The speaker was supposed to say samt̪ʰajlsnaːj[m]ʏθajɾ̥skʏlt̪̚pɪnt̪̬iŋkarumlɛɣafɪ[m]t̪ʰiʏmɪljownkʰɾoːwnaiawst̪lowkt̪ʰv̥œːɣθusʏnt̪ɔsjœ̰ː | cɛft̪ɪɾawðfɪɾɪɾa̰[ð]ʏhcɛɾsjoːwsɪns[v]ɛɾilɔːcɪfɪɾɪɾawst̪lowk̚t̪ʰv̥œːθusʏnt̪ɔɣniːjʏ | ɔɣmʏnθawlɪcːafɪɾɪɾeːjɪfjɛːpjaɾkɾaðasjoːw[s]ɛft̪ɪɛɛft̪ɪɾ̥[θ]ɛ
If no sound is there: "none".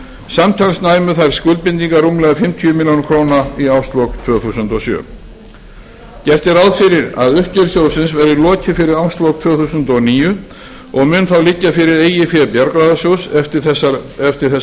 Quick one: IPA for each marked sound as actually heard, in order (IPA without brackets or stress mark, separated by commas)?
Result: m, m, ð, v, s, θ